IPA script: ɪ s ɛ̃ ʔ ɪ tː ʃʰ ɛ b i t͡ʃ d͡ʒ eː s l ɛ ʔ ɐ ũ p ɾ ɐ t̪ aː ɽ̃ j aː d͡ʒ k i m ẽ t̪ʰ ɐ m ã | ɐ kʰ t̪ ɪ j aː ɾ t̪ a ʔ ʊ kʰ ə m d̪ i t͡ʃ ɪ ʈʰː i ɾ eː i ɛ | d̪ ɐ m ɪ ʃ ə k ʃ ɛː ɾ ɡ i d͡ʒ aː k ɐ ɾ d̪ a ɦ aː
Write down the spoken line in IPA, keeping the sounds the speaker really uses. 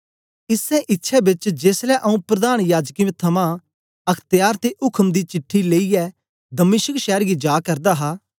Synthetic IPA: ɪ s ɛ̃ ʔ ɪ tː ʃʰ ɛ b ɪ t͡ʃ d͡ʒ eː s l ɛ ʔ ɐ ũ p ɾ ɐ d̪ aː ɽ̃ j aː d͡ʒ k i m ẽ t̪ʰ ɐ m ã | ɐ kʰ t̪ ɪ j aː ɾ t̪ e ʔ ʊ kʰ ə m d̪ i t͡ʃ ɪ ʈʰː i l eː i ɛ | d̪ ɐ m ɪ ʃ ə k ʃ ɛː ɾ ɡ i d͡ʒ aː k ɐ ɾ d̪ a ɦ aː